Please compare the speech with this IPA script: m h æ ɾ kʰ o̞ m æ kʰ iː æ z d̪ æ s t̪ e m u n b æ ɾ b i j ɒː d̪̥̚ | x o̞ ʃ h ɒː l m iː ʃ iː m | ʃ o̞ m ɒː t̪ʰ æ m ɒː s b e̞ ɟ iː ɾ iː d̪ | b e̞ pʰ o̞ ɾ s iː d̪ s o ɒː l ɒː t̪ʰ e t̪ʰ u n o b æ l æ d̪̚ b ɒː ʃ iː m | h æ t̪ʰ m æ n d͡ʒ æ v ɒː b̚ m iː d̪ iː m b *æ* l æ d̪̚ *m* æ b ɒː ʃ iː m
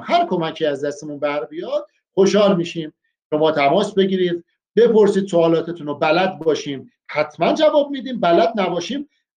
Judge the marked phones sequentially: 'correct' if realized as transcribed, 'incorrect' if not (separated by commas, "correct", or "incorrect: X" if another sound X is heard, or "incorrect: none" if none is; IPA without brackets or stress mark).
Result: correct, incorrect: n